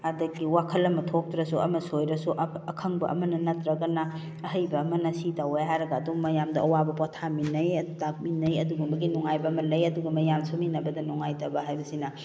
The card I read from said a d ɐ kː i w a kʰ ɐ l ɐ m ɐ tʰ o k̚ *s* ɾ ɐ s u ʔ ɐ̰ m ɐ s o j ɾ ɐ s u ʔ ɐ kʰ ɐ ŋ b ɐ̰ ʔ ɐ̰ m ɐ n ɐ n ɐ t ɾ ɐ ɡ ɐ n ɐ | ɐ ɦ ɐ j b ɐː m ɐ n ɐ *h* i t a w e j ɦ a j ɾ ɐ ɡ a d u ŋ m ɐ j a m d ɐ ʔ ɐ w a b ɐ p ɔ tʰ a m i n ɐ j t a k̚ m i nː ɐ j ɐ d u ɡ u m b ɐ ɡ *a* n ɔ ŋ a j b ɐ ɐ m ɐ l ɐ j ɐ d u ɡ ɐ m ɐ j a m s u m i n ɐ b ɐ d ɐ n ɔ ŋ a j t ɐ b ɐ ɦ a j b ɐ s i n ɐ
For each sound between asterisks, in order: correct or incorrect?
incorrect, incorrect, incorrect

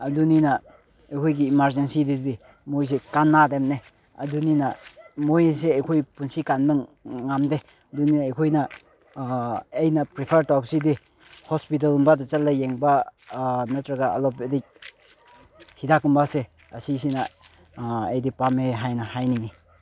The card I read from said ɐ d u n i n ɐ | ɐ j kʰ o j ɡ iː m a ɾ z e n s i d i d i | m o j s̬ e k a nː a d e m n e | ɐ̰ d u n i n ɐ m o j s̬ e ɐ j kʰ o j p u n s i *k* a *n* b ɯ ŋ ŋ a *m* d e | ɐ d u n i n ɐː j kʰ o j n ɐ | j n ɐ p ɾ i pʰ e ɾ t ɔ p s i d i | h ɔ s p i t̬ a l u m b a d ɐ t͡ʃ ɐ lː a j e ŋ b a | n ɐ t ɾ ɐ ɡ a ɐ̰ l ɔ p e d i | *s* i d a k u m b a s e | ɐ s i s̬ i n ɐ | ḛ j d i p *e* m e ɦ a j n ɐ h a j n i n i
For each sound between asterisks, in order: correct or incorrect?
correct, correct, correct, incorrect, incorrect

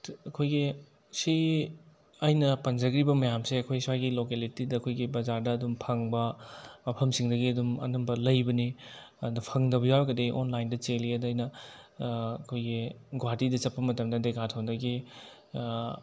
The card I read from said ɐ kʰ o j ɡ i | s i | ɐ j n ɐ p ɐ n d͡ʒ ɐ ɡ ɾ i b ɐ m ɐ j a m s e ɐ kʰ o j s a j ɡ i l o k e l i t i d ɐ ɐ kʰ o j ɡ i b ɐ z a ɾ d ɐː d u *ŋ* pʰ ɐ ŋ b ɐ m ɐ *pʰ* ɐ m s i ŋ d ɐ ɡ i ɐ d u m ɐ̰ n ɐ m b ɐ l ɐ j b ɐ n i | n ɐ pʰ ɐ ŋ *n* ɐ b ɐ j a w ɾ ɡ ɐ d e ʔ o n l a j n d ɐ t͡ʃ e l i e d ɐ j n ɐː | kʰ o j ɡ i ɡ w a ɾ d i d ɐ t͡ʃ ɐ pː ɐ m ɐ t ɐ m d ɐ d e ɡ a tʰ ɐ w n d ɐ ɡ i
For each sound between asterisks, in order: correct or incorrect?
incorrect, correct, incorrect

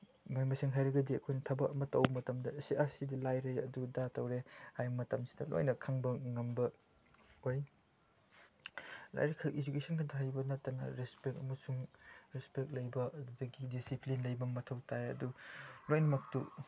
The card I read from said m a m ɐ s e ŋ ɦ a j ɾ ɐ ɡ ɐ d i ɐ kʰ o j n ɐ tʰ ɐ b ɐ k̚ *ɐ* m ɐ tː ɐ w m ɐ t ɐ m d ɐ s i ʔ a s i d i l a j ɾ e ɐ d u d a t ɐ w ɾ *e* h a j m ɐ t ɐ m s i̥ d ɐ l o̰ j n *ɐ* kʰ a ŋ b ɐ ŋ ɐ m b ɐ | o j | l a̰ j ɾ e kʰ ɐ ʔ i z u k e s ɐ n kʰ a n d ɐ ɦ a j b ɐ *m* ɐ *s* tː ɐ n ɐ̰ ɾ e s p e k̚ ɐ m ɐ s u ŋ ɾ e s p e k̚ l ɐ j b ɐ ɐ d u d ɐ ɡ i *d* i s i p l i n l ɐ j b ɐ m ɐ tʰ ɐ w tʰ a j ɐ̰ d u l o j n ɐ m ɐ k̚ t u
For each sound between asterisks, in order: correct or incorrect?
correct, correct, correct, incorrect, incorrect, correct

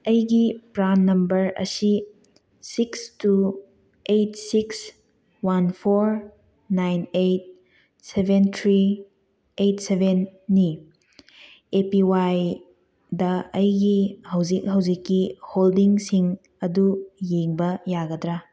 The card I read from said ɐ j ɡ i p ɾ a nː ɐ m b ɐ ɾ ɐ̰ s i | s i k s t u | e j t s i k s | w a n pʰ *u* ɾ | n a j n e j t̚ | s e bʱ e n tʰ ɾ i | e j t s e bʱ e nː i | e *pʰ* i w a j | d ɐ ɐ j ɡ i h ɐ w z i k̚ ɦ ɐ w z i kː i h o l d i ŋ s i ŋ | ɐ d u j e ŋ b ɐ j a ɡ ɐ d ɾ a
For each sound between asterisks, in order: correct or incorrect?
incorrect, incorrect

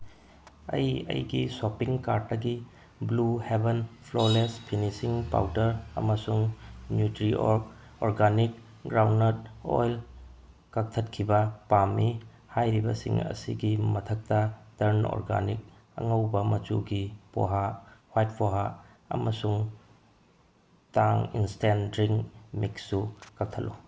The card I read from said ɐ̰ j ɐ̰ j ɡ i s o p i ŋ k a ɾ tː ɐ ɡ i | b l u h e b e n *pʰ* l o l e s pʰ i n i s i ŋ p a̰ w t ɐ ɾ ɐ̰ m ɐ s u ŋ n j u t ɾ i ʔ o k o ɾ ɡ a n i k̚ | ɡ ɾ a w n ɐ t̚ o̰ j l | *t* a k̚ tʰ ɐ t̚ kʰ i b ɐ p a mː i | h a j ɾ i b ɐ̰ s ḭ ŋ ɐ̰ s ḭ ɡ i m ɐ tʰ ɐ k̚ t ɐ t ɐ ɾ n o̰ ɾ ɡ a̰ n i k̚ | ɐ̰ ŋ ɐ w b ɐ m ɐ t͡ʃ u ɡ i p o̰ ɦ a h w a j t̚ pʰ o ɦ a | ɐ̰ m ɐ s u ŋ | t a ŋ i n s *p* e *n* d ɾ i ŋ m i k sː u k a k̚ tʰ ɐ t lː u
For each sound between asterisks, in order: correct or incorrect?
correct, incorrect, incorrect, correct

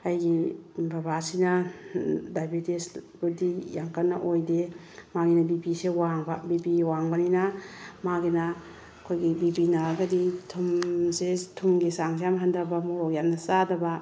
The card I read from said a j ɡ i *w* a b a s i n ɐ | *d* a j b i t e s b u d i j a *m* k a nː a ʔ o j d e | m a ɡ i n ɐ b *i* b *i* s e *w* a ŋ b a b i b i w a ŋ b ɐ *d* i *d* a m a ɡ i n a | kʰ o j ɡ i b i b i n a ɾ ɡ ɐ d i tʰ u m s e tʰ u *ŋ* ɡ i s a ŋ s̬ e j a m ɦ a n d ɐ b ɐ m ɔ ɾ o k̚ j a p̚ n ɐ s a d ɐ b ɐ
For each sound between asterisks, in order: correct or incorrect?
incorrect, correct, incorrect, correct, correct, correct, incorrect, incorrect, incorrect

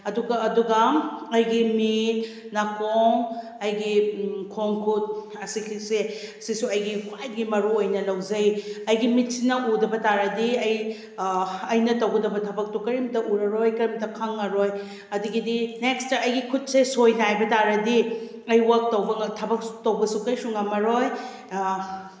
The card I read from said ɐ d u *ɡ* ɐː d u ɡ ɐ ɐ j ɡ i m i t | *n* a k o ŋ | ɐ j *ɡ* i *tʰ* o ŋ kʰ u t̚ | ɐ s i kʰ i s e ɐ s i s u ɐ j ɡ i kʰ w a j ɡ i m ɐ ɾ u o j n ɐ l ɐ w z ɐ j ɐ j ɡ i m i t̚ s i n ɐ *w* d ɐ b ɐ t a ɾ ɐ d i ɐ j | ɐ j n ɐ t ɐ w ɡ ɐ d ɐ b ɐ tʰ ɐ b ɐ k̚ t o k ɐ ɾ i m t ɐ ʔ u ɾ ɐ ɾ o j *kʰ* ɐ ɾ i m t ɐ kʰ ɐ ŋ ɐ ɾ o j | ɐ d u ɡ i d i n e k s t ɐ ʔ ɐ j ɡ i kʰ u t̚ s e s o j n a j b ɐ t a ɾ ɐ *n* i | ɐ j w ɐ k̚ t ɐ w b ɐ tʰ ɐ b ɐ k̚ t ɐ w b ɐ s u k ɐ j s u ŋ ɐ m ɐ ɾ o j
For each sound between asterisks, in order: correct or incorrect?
correct, correct, correct, incorrect, incorrect, incorrect, incorrect

